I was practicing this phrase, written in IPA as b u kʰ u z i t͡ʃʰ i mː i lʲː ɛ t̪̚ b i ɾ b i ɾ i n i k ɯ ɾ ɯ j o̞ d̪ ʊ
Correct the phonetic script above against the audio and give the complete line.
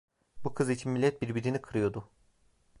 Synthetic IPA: b u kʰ ɯ z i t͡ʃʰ i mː i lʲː ɛ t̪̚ b i ɾ b i ɾ i n i kʰ ɯ ɾ ɯ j o̞ d̪ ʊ